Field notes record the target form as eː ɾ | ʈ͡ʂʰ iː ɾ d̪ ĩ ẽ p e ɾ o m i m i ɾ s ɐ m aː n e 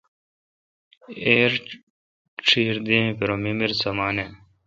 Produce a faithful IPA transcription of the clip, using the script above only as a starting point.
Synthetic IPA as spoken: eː ɾ | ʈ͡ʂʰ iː ɾ d̪ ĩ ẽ p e ɾ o m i m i ɾ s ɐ m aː n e